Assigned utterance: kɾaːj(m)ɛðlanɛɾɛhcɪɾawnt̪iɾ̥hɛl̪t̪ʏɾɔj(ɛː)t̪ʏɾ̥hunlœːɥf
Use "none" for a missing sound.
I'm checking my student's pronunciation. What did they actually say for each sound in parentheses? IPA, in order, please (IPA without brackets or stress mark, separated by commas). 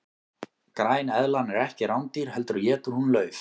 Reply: n, ɛː